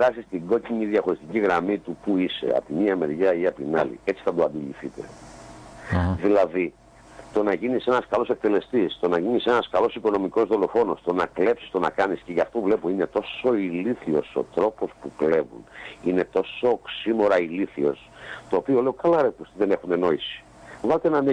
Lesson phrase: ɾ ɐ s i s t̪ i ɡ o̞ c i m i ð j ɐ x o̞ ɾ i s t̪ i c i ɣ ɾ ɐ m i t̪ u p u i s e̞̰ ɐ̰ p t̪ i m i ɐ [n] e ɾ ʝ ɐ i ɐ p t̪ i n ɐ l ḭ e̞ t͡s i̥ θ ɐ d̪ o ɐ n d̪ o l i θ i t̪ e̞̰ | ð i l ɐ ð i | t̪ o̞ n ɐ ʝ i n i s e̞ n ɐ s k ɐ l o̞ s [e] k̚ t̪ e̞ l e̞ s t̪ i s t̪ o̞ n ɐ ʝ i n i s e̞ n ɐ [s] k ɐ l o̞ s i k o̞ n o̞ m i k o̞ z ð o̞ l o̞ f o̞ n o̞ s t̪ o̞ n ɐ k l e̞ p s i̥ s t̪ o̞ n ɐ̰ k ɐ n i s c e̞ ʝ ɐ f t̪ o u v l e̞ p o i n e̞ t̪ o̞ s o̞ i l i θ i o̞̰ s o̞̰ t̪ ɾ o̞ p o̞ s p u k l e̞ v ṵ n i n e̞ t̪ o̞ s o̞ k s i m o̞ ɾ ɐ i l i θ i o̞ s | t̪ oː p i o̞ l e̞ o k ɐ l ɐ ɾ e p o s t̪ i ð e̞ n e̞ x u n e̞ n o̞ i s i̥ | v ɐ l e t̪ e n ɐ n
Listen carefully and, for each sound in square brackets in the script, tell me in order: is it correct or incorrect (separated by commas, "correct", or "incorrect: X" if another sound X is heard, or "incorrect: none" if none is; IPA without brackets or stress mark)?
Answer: incorrect: m, correct, correct